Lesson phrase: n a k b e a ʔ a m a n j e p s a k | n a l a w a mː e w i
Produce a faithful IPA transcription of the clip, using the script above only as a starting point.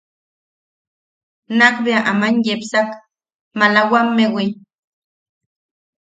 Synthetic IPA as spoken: n a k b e a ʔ a m a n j e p s a k | m a l a w a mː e w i